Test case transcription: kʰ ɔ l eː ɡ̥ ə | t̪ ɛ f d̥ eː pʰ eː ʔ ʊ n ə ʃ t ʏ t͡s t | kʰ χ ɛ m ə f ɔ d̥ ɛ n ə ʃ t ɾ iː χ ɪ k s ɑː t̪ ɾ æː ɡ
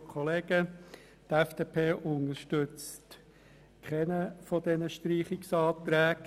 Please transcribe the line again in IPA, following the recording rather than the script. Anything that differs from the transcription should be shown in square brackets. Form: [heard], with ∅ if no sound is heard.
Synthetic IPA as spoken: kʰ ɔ l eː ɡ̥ ə | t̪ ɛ f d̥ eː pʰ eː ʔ ʊ n ə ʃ t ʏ t͡s t | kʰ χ ɛ [n] ə f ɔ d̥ ɛ n ə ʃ t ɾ iː χ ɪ k s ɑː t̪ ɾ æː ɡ